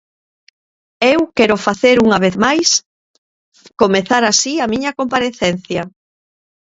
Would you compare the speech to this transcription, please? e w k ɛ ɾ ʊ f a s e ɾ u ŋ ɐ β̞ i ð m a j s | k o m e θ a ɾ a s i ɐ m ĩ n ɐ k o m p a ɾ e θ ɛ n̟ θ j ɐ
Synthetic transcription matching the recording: e w k ɛ ɾ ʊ f a θ e ɾ u ŋ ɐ β̞ e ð m a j s | k o m e θ a ɾ a s i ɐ m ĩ ɲ ɐ k o m p a ɾ e θ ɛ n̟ θ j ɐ